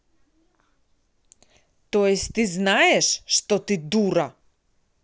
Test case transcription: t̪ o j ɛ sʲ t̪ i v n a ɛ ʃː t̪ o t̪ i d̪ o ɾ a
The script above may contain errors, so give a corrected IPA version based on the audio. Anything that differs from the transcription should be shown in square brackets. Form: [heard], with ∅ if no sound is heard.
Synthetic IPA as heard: t̪ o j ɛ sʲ t̪ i [z] n a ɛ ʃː t̪ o t̪ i d̪ [u] ɾ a